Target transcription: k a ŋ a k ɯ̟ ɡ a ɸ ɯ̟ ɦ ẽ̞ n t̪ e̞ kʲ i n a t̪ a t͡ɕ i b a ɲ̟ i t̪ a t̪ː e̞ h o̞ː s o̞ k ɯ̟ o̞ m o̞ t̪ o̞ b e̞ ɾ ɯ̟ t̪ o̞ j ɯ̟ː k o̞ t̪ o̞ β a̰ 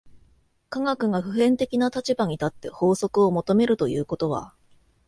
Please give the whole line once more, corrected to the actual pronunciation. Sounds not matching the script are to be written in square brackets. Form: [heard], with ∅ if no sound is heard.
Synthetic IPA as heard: k a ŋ a k ɯ̟ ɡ a ɸ ɯ̟ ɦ ẽ̞ n t̪ e̞ kʲ i n a t̪ a t͡ɕ i b a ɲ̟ i t̪ a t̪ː e̞ h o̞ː s o̞ k ɯ̟ o̞ m o̞ t̪ o̞ [m] e̞ ɾ ɯ̟ t̪ o̞ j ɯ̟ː k o̞ t̪ o̞ β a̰